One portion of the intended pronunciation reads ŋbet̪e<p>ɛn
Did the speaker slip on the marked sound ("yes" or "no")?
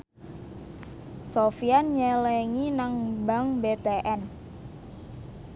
yes